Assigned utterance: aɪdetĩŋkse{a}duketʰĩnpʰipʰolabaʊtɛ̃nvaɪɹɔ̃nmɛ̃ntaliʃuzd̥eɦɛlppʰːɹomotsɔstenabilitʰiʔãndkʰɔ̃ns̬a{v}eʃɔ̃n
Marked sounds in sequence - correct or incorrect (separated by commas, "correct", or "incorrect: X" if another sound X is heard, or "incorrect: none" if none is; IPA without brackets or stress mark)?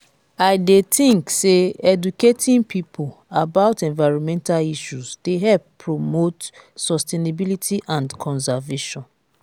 incorrect: ɛ, correct